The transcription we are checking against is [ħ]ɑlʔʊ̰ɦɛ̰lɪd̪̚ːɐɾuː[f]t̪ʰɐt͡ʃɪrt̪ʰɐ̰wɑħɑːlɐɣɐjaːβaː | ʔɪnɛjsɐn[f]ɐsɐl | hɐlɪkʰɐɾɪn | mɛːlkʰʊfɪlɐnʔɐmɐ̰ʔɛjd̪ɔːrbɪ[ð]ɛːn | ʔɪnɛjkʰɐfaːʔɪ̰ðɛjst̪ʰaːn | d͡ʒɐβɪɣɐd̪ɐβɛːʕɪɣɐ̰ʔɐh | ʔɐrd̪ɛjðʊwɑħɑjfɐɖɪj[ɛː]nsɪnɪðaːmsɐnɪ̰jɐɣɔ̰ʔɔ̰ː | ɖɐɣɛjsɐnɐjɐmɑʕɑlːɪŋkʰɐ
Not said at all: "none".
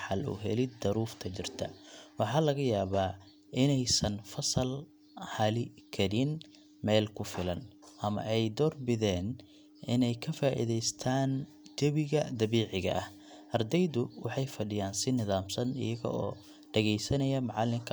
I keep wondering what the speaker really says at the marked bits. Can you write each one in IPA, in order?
ħ, f, f, ð, aː

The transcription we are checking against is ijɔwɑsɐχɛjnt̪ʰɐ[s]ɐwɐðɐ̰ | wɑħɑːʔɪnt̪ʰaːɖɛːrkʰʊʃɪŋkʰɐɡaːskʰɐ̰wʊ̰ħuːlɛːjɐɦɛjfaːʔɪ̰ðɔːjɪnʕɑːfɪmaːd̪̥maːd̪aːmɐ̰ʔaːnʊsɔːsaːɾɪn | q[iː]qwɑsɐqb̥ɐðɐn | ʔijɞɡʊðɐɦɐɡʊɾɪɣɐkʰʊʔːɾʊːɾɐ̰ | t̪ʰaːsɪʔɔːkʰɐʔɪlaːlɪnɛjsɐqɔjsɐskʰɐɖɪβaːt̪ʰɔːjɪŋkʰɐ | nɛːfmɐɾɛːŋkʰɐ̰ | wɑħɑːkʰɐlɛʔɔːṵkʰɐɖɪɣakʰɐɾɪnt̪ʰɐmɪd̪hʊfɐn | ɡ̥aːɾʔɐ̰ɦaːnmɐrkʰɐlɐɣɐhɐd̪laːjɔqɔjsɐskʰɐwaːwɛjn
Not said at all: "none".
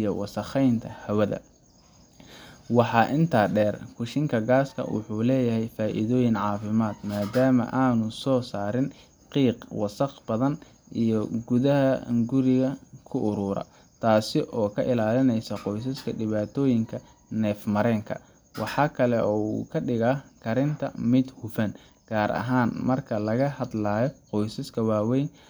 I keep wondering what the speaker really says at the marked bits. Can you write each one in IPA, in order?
h, iː

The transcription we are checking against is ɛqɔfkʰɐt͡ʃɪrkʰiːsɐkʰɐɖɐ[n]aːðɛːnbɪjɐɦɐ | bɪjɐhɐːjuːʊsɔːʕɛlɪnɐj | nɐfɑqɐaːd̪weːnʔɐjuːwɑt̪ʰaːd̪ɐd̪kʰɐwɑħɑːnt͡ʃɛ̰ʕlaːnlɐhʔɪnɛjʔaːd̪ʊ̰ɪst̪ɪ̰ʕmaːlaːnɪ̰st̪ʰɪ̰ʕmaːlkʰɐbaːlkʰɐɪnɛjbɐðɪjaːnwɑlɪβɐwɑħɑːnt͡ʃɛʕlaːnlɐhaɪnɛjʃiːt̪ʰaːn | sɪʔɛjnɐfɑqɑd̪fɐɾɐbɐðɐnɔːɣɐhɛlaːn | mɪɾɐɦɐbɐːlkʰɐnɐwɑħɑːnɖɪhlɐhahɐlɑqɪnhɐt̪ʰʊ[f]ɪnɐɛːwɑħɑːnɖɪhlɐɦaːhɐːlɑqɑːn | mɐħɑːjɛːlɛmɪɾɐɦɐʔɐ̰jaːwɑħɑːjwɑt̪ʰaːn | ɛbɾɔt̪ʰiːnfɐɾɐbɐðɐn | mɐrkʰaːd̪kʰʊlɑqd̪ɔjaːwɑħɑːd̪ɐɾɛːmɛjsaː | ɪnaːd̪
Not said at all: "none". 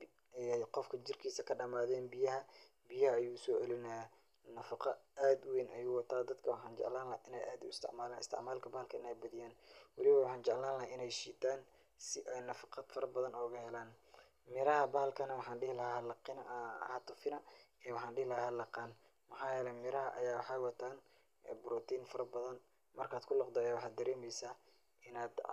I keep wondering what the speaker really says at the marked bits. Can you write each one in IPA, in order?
m, f

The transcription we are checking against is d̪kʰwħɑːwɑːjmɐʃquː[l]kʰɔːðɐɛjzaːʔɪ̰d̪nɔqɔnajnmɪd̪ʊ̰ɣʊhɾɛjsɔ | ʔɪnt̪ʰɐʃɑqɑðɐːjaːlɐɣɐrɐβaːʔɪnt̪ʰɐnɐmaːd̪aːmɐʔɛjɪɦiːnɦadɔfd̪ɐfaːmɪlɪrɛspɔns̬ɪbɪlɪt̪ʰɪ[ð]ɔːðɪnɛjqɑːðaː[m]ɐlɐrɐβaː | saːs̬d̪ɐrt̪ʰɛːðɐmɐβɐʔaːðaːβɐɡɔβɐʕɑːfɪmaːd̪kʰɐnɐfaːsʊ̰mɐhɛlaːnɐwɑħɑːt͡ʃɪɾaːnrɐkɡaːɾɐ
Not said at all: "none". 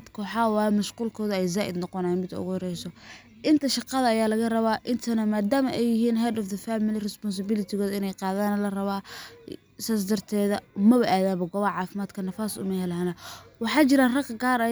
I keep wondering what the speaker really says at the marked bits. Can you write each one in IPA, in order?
l, ɣ, n

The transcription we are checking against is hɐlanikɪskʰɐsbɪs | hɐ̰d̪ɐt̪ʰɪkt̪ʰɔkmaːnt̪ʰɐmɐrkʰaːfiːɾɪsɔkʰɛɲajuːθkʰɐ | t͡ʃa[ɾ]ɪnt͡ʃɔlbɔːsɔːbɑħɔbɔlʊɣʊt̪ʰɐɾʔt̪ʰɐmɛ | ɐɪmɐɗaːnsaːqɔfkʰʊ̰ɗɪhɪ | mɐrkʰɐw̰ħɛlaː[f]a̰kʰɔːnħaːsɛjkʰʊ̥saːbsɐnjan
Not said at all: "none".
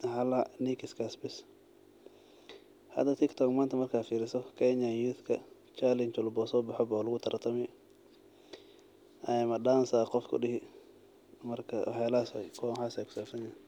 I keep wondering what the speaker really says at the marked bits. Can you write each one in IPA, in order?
l, s

